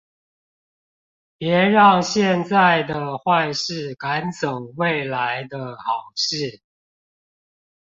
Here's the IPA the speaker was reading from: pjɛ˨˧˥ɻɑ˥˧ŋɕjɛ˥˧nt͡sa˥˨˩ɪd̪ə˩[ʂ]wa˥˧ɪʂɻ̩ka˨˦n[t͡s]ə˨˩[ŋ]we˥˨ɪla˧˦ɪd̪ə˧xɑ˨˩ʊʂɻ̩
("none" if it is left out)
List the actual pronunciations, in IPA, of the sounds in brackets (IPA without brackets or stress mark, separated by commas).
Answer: x, t͡s, ŋ